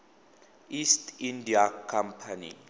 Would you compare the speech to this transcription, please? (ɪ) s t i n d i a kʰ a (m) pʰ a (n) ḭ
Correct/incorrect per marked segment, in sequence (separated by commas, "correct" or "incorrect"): incorrect, correct, correct